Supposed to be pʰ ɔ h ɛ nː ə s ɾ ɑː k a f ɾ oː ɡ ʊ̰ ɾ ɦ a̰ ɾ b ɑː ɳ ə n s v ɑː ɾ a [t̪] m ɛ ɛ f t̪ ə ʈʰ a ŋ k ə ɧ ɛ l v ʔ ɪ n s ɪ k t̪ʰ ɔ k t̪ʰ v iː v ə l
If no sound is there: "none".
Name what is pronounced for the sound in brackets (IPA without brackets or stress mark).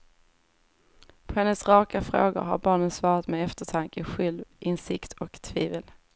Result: t̪